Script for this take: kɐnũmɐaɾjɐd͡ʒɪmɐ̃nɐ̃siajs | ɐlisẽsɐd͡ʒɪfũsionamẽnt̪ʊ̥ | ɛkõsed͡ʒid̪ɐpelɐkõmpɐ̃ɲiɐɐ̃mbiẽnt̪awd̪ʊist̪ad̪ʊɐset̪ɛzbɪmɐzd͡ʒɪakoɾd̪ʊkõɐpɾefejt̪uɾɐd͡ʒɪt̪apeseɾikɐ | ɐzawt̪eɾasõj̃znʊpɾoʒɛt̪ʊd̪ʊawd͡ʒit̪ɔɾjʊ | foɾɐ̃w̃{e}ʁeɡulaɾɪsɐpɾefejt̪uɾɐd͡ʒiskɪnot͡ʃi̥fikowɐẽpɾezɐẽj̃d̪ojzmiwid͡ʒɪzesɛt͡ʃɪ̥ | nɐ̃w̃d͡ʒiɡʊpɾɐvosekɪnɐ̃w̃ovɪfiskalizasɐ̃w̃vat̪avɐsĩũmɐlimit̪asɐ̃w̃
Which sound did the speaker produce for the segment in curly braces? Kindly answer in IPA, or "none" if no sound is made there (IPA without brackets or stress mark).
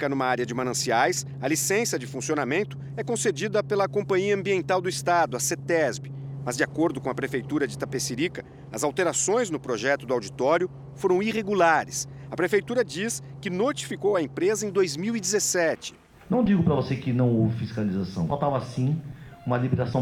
i